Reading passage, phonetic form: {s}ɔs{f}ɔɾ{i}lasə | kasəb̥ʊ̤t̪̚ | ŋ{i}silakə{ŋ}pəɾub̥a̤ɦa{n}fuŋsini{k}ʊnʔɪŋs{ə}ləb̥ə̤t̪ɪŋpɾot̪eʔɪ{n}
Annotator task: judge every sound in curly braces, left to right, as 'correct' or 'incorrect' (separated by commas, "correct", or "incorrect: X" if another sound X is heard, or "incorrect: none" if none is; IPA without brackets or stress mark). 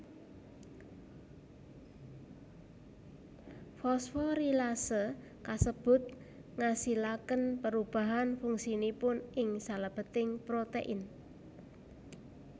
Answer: incorrect: f, correct, correct, incorrect: a, incorrect: n, correct, incorrect: p, incorrect: a, correct